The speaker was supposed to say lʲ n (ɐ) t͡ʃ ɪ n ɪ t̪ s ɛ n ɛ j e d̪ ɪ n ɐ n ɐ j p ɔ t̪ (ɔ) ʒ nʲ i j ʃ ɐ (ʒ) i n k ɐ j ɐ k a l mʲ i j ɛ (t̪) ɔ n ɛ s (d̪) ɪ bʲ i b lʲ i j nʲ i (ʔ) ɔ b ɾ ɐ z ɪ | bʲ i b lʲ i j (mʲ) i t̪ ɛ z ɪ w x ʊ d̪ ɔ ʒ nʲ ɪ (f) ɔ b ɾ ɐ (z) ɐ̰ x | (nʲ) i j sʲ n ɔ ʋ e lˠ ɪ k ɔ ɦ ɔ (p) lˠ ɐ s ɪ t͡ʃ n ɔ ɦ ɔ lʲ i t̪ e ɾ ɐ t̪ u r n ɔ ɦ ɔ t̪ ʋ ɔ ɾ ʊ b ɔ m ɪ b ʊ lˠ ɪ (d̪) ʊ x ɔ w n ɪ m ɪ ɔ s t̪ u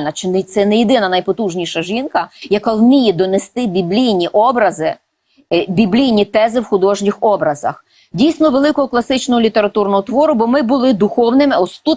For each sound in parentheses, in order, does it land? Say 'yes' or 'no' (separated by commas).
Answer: yes, no, yes, no, no, yes, no, no, yes, no, no, yes